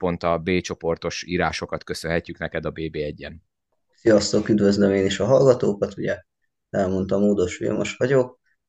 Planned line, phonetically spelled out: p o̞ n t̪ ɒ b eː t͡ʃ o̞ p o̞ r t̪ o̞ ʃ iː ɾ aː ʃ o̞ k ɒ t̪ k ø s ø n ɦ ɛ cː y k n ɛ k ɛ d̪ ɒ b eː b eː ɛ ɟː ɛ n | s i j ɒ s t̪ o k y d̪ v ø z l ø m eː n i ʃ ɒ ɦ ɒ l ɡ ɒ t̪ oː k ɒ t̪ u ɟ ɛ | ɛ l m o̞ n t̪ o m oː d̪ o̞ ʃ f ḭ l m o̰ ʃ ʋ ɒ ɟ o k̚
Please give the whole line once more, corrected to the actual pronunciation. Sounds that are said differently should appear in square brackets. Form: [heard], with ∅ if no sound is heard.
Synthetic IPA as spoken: p o̞ n t̪ ɒ b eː t͡ʃ o̞ p o̞ r t̪ o̞ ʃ iː ɾ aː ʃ o̞ k ɒ t̪ k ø s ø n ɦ ɛ cː y k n ɛ k ɛ d̪ ɒ b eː b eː ɛ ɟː ɛ n | s i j ɒ s t̪ o k y d̪ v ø z l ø m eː n i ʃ ɒ ɦ ɒ l ɡ ɒ t̪ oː k ɒ t̪ u ɟ ɛ | ɛ l m o̞ n t̪ [ɒ] m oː d̪ o̞ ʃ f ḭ l m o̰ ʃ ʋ ɒ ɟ o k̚